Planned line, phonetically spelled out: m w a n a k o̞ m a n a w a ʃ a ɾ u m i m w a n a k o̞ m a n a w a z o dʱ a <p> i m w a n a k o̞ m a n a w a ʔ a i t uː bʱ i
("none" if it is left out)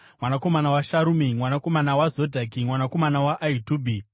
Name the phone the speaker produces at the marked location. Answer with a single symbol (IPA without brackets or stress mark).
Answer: k